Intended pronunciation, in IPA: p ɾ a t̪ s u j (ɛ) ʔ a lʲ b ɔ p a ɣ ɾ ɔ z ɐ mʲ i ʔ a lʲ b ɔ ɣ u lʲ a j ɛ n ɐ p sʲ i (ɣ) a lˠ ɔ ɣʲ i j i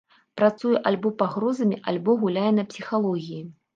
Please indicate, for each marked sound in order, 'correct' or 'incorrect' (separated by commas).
correct, incorrect